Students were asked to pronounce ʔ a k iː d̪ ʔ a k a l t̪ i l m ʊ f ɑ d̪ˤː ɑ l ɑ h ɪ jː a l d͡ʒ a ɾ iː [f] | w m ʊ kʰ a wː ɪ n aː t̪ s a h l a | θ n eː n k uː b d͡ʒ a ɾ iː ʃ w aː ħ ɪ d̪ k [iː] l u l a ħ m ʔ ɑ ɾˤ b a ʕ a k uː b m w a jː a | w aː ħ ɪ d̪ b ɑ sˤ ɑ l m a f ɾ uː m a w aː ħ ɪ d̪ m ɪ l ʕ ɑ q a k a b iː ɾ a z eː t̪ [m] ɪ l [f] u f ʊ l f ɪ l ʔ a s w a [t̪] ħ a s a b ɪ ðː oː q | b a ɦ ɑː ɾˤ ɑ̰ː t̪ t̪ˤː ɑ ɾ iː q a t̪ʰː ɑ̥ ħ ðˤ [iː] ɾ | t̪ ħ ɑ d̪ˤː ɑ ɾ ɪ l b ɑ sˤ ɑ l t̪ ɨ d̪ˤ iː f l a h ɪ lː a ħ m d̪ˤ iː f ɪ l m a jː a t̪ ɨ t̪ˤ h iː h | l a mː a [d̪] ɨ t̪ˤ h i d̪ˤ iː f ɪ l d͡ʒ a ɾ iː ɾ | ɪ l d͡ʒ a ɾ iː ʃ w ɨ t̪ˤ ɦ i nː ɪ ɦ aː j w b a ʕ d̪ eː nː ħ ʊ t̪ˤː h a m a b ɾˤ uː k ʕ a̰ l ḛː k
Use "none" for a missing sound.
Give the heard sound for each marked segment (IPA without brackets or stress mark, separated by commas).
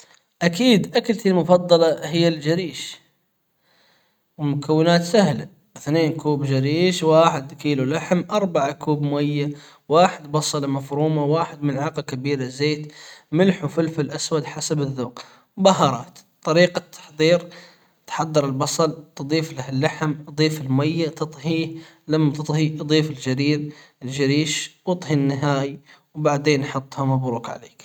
ʃ, iː, m, ħ, d̪, iː, t̪